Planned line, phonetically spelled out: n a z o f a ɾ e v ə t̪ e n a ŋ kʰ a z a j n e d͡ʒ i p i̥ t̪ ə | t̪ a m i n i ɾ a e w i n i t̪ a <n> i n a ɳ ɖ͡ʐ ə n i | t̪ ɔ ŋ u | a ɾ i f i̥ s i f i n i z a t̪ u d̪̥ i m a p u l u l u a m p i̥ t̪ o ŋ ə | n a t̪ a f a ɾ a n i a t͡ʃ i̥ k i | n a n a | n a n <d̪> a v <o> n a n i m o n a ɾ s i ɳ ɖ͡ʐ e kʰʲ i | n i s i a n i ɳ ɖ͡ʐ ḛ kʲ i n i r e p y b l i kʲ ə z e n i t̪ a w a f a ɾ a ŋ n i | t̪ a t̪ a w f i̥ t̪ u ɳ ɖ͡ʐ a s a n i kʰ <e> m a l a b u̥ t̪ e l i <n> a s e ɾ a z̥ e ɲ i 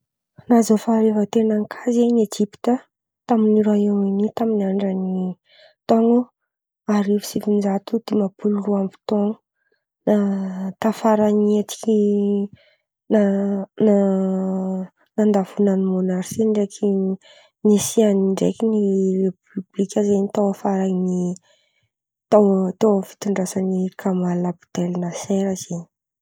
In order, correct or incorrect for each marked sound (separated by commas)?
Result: incorrect, correct, incorrect, incorrect, correct